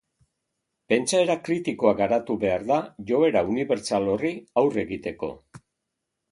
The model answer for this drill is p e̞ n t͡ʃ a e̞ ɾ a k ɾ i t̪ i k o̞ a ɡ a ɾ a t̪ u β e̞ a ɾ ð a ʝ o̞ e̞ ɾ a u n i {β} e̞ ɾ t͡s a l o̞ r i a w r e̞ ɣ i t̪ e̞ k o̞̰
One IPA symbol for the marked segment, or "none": β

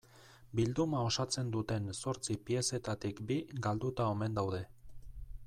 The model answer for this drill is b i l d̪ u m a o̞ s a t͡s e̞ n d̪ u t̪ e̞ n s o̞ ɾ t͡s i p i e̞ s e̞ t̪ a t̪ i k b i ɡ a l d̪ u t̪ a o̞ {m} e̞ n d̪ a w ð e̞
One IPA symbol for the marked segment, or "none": m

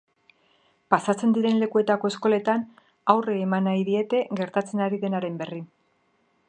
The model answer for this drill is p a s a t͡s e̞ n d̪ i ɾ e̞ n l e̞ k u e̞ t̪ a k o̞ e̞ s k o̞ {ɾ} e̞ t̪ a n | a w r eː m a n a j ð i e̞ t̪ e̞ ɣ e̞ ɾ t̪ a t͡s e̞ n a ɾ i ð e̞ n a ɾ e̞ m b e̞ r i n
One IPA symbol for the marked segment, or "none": l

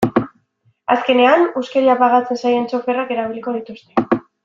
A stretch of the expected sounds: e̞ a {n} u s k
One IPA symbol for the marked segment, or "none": n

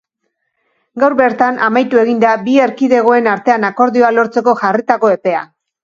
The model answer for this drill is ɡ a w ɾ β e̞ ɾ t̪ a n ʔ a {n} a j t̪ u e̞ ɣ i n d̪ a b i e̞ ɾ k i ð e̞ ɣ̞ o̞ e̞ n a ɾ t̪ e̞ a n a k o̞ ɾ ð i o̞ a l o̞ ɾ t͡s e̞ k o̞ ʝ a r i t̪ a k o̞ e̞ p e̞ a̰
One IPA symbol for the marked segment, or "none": m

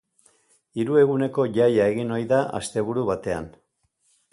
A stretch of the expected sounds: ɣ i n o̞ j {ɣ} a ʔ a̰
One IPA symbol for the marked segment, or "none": ð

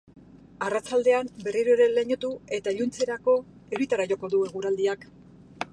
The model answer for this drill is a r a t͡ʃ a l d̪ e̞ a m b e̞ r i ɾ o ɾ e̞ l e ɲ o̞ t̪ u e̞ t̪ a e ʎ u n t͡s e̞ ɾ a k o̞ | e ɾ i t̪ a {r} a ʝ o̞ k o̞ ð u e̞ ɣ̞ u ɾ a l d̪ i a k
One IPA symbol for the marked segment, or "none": ɾ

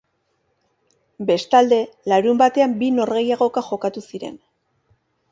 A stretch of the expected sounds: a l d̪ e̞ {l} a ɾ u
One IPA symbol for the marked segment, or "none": l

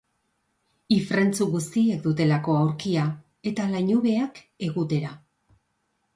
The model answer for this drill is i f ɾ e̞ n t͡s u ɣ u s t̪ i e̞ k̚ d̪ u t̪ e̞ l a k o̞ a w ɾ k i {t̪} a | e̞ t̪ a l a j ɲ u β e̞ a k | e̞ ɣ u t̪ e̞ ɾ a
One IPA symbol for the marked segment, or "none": none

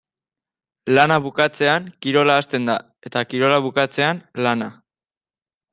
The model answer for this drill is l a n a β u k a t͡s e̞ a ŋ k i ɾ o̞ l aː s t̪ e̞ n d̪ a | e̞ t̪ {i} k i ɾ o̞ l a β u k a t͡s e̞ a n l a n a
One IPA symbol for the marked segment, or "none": a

